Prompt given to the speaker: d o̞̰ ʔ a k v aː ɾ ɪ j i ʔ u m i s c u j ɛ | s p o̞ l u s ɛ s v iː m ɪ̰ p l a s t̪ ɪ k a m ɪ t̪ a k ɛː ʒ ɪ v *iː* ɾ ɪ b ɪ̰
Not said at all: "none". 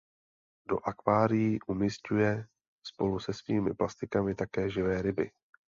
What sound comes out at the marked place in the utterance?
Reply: ɛː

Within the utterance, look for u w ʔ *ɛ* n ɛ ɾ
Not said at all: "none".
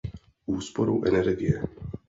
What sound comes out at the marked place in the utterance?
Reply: ɛ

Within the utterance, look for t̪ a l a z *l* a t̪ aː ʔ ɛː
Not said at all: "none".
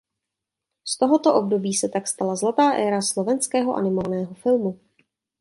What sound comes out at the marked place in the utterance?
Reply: l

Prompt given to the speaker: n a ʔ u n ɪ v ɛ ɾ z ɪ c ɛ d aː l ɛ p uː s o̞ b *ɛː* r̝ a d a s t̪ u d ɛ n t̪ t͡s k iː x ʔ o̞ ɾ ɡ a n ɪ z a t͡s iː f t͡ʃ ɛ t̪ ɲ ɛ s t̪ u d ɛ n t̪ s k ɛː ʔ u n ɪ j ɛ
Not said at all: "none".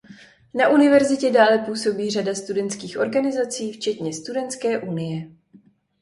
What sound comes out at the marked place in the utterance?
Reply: iː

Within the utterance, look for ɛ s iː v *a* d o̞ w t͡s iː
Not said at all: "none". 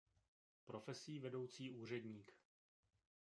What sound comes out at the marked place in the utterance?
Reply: ɛ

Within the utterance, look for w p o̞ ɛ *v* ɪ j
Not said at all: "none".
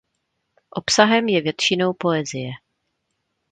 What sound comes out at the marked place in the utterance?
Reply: z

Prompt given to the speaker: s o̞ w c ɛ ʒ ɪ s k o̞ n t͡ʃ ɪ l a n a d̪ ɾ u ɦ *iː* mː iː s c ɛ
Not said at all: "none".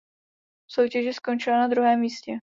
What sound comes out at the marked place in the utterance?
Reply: ɛː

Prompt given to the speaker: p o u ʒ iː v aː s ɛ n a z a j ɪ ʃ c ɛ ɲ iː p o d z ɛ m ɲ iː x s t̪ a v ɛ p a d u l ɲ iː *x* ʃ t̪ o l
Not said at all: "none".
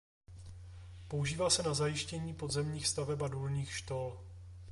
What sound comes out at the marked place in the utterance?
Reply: x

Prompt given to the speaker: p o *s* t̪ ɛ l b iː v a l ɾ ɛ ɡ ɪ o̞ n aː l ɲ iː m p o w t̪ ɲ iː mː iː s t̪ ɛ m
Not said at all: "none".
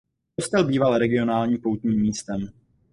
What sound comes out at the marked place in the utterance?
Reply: s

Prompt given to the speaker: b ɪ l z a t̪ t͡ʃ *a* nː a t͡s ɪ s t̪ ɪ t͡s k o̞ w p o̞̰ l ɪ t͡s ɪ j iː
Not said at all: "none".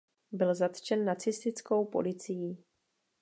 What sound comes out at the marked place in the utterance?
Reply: ɛ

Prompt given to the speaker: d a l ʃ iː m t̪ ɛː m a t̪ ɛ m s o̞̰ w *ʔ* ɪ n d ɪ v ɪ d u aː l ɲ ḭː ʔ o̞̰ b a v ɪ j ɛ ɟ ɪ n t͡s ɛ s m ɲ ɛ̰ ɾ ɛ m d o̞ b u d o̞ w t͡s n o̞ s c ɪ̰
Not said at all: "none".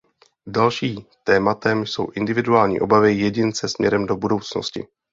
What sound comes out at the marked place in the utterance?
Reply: ʔ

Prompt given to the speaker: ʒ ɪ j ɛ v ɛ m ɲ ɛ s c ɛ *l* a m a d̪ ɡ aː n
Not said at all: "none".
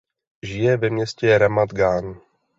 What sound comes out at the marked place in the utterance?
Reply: ɾ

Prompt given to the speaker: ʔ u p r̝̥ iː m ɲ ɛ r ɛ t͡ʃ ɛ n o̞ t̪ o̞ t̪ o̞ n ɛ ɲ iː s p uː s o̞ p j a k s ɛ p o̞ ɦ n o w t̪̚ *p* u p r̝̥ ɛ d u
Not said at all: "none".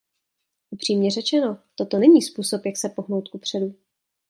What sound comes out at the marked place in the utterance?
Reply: k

